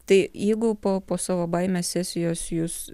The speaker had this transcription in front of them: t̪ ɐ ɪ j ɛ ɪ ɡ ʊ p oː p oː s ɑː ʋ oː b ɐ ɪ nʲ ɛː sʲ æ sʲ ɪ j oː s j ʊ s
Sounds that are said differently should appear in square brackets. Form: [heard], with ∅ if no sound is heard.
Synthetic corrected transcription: t̪ ɐ ɪ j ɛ ɪ ɡ ʊ p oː p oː s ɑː ʋ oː b ɐ ɪ [mʲ] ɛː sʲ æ sʲ ɪ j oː s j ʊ s